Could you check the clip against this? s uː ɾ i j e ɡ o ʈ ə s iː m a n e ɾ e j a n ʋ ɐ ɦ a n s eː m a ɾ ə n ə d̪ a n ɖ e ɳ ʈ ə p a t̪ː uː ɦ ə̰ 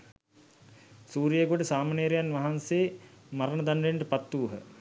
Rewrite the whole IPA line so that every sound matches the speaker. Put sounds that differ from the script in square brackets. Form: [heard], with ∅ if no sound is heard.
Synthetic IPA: s uː ɾ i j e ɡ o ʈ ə s [aː] m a n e ɾ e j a n ʋ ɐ ɦ a n s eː m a ɾ ə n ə d̪ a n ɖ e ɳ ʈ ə p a t̪ː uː ɦ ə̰